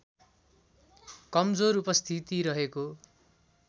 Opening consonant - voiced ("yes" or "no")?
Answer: no